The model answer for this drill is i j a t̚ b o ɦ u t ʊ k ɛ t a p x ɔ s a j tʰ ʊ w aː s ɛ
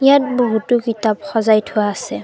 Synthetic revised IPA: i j a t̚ b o ɦ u t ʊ k i t a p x ɔ z a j tʰ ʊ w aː s ɛ